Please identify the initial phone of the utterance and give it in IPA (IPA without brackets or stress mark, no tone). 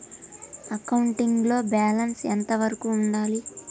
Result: ɐ